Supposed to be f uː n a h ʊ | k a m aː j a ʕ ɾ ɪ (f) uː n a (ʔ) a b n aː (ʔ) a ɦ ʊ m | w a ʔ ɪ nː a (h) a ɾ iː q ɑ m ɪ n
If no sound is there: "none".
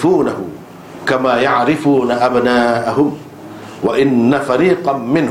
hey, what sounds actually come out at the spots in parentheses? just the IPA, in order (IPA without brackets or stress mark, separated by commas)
f, ʔ, ʔ, f